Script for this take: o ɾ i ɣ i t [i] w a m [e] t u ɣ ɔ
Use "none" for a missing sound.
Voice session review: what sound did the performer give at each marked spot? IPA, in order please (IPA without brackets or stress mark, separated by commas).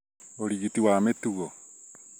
i, e